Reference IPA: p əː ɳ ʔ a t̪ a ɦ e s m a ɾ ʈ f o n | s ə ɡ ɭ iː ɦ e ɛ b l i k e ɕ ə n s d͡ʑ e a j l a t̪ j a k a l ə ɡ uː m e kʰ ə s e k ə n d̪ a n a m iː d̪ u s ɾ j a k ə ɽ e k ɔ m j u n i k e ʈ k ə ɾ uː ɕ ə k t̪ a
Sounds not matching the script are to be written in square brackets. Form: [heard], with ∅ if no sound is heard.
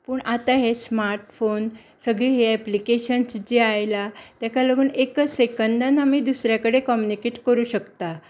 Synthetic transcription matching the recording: p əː ɳ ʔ a t̪ a ɦ e s m a ɾ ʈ f o n | s ə ɡ ɭ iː ɦ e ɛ [p] l i k e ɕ ə n s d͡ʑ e a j l a t̪ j a k a l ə ɡ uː [n] e [k] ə s e k ə n d̪ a n a m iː d̪ u s ɾ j a k ə ɽ e k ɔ m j u n i k e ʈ k ə ɾ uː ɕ ə k t̪ a